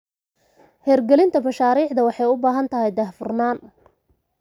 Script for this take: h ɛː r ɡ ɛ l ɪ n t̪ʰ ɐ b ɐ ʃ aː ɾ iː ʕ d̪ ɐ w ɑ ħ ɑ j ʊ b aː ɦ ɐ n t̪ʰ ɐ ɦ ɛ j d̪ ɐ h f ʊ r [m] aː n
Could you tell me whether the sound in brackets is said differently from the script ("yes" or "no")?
yes